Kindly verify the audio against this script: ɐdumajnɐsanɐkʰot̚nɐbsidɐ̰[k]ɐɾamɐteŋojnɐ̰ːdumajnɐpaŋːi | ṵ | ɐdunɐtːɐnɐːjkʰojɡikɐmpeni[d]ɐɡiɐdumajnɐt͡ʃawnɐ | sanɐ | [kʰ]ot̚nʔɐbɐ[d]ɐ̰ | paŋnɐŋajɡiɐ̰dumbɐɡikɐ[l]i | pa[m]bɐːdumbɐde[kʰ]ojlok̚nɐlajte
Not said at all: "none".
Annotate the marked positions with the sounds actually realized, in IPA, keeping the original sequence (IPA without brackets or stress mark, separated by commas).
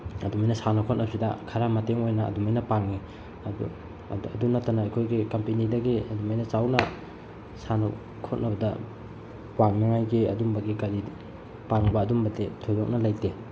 kʰ, d, kʰ, d, ɾ, ŋ, tʰ